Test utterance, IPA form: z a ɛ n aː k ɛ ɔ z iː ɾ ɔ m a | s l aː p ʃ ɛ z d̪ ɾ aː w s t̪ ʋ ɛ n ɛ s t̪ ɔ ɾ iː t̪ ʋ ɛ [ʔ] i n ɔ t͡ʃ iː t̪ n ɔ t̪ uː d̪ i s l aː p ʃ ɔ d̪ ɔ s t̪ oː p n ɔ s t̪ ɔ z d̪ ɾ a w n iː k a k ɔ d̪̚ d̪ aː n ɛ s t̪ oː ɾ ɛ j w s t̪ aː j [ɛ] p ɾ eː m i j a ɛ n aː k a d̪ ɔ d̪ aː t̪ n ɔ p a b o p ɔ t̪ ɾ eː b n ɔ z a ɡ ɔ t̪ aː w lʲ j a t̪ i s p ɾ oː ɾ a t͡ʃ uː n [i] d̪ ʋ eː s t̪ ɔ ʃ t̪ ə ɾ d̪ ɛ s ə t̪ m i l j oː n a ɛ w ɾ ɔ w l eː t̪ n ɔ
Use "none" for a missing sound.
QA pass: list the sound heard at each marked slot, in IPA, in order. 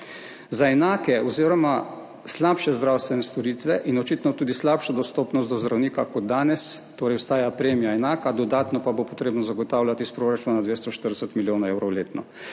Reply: ʔ, a, a

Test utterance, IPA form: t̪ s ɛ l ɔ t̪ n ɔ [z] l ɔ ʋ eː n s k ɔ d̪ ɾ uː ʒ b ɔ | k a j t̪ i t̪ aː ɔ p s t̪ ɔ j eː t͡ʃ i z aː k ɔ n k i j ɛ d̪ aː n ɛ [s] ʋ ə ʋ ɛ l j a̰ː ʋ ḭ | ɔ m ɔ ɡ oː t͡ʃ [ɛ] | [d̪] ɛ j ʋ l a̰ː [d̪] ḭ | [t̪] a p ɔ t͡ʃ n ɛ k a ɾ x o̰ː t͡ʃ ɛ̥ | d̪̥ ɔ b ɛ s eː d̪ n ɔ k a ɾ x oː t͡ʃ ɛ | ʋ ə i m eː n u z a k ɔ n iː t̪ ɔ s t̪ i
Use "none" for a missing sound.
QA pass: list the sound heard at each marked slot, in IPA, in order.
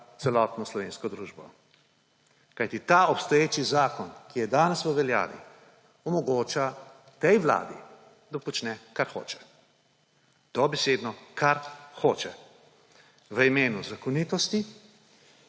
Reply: s, s, a, t̪, d̪, d̪

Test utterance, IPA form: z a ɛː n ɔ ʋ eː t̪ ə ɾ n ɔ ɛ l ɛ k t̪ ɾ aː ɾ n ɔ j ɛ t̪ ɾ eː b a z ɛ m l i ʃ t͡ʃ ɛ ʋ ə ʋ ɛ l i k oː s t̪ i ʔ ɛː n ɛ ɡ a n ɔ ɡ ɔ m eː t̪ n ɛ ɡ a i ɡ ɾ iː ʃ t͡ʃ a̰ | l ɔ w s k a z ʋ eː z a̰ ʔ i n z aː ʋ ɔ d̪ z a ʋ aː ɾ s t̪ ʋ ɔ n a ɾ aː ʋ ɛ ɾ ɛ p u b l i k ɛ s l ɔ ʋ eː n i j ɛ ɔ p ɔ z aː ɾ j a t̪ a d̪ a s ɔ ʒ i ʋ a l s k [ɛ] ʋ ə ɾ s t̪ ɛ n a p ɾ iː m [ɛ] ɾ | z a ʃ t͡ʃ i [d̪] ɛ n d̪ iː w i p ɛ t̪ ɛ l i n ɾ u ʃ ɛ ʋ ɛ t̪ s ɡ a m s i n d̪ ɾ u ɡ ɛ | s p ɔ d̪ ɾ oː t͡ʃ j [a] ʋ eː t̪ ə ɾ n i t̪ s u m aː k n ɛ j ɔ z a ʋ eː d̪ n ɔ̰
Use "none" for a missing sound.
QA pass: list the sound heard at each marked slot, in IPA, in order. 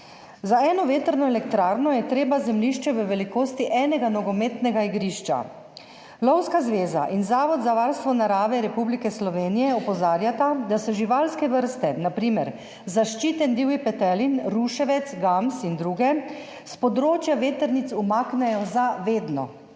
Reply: ɛ, ɛ, t̪, a

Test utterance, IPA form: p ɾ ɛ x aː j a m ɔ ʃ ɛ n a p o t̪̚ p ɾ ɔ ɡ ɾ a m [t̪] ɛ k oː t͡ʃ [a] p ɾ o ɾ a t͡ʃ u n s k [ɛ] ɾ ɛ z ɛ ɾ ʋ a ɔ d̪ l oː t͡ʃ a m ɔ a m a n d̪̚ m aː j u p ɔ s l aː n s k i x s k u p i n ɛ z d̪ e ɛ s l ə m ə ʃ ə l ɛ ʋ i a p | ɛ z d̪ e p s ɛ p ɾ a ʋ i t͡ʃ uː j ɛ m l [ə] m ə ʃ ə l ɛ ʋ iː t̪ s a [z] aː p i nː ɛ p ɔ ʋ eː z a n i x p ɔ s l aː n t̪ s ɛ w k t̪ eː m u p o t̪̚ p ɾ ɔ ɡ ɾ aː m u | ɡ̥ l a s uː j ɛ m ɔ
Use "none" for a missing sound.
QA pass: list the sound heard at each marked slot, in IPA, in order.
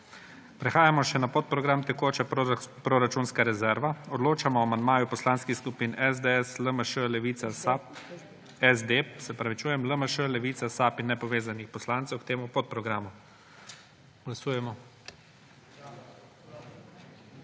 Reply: t̪, ɛ, a, ə, s

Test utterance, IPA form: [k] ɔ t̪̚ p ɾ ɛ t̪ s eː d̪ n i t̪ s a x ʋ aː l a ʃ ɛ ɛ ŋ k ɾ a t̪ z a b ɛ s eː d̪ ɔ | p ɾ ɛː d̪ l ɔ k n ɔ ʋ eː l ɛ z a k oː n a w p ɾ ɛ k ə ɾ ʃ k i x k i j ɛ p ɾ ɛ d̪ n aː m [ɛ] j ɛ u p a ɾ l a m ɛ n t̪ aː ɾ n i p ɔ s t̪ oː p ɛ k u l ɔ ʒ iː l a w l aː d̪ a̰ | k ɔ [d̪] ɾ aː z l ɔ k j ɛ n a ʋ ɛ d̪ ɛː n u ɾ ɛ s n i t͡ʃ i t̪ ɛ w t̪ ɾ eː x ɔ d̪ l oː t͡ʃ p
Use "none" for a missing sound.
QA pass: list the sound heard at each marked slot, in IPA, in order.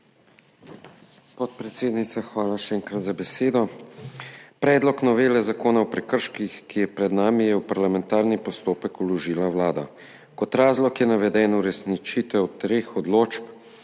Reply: p, i, t̪

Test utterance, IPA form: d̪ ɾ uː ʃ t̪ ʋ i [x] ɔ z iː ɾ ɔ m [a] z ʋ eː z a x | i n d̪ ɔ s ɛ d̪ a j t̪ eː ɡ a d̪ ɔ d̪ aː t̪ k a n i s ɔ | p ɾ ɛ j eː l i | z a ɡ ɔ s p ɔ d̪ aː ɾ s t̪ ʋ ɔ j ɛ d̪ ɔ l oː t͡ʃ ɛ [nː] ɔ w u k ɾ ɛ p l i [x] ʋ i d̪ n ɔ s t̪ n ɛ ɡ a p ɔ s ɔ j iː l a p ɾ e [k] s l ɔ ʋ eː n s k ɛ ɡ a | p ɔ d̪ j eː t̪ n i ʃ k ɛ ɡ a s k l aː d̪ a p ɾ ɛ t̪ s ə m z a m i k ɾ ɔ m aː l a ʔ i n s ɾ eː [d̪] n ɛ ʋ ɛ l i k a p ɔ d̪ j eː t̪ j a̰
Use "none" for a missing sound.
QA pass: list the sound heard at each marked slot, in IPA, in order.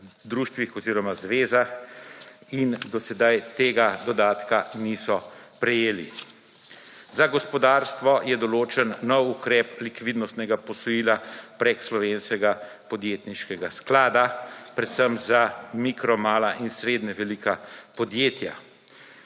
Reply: x, a, nː, k, k, d̪

